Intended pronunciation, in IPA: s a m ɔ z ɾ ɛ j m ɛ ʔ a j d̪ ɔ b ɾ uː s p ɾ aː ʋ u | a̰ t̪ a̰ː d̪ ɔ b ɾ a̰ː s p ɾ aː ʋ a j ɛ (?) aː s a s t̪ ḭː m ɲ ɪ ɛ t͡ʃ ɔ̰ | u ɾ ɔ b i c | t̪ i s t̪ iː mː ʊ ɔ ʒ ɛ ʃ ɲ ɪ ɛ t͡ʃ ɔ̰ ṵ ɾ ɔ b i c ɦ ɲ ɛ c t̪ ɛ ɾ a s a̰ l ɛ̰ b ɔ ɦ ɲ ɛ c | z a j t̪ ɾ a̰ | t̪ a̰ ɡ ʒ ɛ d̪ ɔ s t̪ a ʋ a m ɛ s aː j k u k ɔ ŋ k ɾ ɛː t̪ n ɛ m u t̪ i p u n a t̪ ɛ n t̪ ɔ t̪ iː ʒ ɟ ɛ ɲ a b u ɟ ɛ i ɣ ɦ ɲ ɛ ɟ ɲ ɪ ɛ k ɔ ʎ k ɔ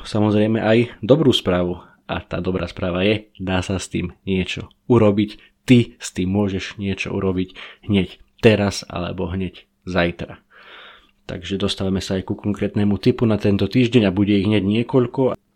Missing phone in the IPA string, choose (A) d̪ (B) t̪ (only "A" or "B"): A